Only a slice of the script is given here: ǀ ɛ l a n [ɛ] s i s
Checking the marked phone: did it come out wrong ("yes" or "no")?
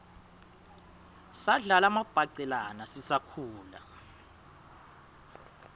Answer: yes